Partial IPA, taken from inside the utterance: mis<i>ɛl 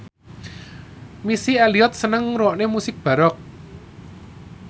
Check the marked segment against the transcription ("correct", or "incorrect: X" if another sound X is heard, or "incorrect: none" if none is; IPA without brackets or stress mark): correct